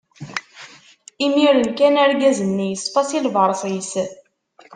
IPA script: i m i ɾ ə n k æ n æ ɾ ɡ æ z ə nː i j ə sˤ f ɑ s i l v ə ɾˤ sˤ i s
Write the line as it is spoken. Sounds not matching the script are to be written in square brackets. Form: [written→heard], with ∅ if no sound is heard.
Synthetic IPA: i m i ɾ ə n k æ n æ ɾ ɡ æ z ə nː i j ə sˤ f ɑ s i l v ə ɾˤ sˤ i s